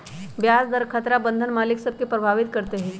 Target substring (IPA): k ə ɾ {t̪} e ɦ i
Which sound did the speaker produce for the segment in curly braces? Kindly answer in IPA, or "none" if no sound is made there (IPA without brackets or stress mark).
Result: t̪